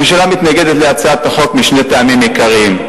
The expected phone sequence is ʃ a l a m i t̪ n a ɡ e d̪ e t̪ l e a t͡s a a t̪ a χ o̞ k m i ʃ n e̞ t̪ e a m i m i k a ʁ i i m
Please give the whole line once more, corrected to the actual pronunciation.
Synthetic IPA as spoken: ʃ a l a m i t̪ n a ɡ e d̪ e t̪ l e a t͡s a a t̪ a χ o̞ k m i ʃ n e̞ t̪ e a m i m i k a ʁ i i m